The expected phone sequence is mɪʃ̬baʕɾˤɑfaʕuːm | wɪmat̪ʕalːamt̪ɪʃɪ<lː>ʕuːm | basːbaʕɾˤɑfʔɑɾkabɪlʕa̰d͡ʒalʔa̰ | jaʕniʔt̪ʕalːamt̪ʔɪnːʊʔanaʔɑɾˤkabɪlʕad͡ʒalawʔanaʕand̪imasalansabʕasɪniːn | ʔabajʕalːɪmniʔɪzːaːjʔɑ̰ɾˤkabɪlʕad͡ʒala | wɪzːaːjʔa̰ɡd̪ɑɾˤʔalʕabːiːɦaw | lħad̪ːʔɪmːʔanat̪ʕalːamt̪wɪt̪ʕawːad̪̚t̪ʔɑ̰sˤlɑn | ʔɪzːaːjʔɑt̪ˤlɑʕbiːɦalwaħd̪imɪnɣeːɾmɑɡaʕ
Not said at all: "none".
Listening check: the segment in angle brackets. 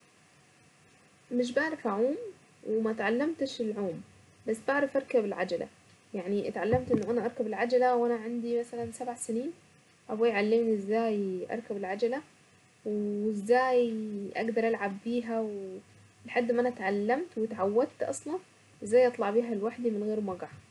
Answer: l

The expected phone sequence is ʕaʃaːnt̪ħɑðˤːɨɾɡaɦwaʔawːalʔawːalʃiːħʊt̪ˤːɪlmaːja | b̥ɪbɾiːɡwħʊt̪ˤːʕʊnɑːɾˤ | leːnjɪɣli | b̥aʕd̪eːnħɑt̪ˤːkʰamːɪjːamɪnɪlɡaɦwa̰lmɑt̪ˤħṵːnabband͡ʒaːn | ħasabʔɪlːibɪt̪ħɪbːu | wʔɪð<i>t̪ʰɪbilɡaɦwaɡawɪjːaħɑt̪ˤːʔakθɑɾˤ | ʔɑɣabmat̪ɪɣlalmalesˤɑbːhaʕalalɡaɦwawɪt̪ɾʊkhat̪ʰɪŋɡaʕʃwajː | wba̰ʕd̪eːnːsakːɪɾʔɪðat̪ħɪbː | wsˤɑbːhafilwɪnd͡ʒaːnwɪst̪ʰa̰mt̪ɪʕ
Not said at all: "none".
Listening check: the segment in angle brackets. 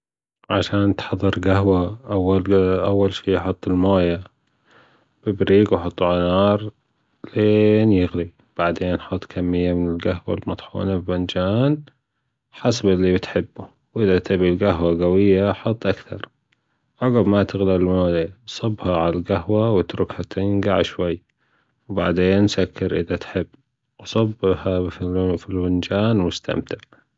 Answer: a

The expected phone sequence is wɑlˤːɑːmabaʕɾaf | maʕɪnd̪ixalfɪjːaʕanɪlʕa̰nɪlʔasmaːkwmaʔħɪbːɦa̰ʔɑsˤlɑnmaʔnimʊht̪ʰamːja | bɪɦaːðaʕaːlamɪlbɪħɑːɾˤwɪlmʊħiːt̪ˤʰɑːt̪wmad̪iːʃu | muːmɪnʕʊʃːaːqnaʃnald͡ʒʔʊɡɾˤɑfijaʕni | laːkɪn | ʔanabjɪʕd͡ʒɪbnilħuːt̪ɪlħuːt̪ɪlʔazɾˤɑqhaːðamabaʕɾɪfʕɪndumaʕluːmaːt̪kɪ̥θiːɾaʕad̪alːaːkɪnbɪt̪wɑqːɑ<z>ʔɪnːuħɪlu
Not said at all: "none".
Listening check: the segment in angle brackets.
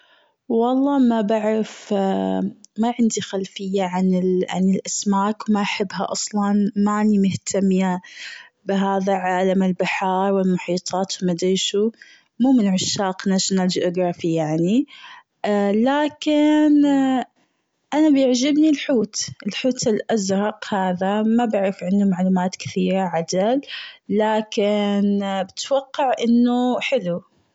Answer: ʕ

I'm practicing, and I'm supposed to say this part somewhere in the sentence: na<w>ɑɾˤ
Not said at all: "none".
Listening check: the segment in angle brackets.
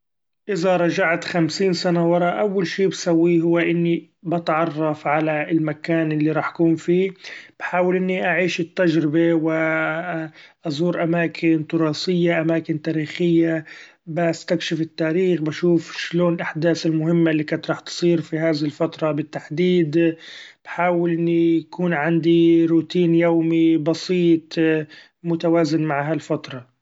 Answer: w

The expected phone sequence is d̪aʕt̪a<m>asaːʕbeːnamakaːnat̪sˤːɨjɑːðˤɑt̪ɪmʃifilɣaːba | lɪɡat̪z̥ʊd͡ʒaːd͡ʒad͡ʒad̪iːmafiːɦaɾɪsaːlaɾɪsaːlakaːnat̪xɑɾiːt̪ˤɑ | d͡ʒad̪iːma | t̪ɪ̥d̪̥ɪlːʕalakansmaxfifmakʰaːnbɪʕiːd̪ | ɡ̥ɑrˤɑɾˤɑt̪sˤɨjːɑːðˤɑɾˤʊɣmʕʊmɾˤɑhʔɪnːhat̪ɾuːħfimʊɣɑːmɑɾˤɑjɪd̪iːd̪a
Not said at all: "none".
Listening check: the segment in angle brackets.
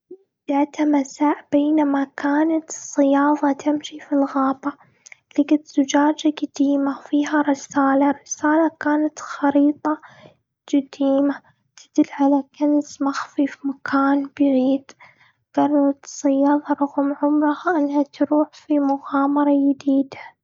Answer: m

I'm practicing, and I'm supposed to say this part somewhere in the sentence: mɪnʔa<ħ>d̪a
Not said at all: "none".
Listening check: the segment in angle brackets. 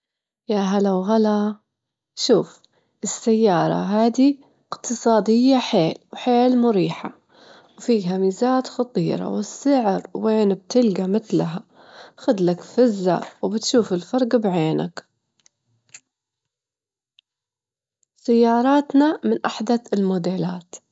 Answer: ħ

